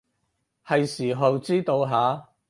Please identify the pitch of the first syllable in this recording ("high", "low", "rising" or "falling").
low